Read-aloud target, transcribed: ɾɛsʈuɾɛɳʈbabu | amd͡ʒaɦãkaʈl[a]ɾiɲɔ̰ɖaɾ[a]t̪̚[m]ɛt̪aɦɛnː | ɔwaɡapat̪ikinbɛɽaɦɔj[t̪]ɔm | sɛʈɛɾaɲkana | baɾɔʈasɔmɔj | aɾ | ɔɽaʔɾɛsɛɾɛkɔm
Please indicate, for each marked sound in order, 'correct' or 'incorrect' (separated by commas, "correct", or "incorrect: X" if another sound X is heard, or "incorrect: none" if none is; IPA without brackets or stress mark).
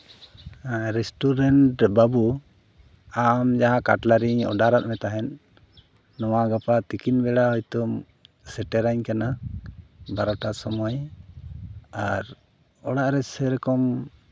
correct, correct, correct, correct